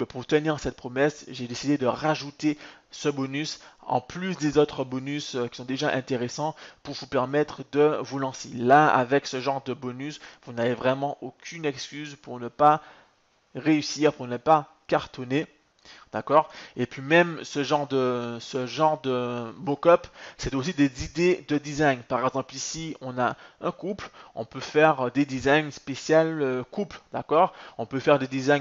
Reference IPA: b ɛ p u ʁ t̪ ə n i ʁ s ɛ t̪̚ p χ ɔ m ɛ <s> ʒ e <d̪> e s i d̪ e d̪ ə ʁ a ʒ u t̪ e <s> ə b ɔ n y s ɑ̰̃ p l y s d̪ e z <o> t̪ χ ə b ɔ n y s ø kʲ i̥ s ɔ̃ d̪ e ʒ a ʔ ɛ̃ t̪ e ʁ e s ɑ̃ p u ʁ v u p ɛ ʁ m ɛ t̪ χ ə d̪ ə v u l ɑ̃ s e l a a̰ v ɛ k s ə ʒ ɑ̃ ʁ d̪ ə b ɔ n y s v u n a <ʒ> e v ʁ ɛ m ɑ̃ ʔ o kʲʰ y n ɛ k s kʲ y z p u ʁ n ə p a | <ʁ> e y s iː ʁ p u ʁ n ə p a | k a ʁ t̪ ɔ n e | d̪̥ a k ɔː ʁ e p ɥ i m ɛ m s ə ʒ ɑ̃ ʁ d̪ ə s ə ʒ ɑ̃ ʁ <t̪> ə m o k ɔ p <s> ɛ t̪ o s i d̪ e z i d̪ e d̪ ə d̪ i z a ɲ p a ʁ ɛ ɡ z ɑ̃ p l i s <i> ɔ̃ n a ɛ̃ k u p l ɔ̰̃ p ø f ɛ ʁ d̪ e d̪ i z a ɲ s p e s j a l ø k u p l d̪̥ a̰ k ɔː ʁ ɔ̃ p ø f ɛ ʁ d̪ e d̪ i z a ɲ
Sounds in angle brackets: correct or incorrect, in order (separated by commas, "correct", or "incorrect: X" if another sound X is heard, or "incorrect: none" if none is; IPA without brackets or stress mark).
correct, correct, correct, correct, incorrect: v, correct, incorrect: d̪, correct, correct